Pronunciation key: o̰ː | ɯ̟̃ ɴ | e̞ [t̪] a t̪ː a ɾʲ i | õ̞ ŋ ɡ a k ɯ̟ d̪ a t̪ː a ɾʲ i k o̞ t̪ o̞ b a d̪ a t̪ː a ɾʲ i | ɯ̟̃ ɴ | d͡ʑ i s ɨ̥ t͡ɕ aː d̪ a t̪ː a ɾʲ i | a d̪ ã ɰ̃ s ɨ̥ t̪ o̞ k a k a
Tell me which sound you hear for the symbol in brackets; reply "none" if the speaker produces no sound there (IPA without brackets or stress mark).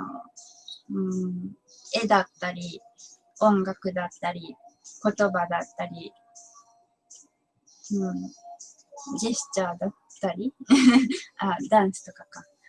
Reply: d̪